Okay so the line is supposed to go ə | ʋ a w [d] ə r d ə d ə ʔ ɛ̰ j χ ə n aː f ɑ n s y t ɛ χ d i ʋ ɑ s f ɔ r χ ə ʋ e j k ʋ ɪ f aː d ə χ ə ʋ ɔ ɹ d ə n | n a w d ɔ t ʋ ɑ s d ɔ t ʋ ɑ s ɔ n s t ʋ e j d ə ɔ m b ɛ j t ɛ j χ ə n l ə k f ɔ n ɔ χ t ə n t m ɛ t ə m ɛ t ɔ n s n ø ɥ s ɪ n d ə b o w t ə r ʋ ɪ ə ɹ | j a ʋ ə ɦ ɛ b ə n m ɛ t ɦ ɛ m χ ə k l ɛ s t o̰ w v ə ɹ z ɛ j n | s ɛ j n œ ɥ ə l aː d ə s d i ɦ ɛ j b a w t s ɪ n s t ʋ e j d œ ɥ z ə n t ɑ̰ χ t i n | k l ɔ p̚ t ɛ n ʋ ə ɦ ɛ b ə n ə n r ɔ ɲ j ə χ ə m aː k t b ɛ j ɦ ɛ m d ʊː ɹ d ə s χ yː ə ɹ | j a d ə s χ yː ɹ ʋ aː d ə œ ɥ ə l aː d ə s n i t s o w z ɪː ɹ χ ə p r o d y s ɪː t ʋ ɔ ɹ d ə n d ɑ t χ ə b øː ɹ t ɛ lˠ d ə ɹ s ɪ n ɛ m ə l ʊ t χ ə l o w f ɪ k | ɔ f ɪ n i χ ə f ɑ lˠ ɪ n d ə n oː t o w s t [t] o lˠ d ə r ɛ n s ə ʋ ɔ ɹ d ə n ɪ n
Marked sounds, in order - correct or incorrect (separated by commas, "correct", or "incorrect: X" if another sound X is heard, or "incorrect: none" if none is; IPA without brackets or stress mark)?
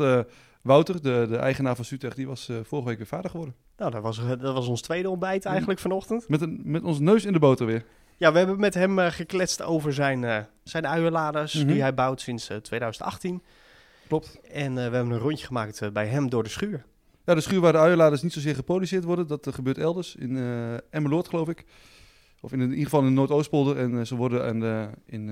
incorrect: t, incorrect: p